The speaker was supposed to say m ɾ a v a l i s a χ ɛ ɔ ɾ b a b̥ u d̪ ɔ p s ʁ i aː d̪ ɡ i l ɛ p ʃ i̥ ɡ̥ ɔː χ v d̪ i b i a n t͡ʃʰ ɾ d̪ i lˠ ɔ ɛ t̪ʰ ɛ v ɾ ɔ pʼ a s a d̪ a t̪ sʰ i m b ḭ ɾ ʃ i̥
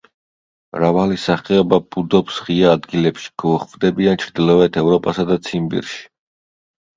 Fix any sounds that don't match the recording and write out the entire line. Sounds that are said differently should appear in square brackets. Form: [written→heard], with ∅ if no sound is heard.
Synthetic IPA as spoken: m ɾ a v a l i s a χ ɛ ɔ [ɾ→∅] b a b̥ u d̪ ɔ p s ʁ i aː d̪ ɡ i l ɛ p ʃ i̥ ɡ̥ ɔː χ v d̪ [i→ɛ] b i a n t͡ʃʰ ɾ d̪ i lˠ ɔ ɛ t̪ʰ ɛ v ɾ ɔ pʼ a s a d̪ a t̪ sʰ i m b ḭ ɾ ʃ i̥